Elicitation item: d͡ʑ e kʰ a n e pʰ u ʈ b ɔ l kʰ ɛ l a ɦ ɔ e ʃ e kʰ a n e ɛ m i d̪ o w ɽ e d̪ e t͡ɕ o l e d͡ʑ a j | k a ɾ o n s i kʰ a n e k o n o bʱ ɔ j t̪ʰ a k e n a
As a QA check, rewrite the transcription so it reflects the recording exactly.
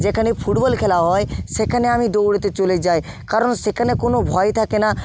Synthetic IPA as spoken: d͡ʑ e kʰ a n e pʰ u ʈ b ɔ l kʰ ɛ l a ɦ ɔ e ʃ e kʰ a n e a m i d̪ o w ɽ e t̪ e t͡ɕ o l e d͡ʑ a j | k a ɾ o n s e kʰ a n e k o n o bʱ ɔ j t̪ʰ a k e n a